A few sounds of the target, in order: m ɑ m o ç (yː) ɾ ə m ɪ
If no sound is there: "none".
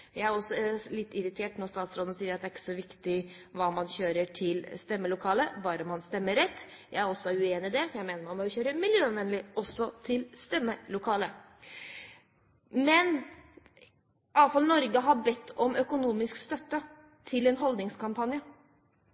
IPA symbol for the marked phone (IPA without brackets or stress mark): øː